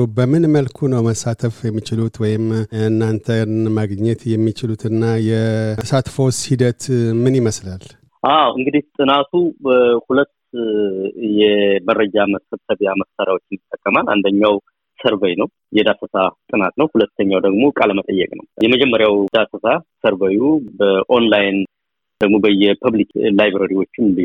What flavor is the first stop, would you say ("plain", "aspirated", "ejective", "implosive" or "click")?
plain